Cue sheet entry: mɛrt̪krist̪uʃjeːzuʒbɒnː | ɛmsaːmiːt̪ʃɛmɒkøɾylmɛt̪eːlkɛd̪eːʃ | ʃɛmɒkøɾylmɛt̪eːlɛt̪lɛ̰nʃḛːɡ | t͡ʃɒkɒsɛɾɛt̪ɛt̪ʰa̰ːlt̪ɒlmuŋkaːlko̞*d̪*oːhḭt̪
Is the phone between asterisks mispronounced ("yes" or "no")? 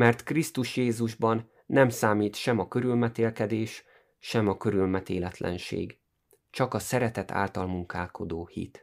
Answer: no